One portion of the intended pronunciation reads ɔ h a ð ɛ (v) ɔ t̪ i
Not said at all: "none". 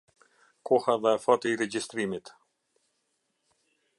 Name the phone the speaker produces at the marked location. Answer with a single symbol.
f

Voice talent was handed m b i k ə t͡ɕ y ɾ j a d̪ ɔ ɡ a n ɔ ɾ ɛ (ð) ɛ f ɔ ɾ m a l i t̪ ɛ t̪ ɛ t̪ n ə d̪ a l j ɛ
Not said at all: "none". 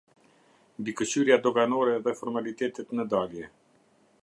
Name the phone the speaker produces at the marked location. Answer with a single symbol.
ð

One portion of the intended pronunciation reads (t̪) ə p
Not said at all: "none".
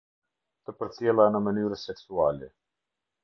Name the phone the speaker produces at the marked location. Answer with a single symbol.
t̪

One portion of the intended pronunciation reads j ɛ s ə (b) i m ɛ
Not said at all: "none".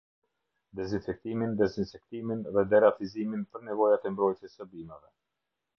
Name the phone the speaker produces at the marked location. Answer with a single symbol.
b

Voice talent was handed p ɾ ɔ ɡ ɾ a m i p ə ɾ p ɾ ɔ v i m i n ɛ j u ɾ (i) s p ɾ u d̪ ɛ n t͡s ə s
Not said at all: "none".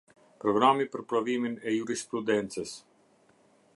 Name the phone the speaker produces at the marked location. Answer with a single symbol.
i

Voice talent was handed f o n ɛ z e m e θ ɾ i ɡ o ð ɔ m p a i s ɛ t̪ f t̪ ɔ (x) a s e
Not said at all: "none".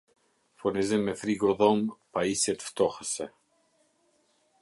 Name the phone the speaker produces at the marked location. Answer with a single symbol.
x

